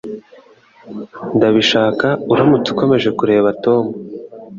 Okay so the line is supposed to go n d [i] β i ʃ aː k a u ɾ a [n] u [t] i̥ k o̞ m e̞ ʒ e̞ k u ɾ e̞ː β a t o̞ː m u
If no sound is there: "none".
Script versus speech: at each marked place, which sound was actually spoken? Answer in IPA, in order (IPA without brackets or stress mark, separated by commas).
a, m, t͡s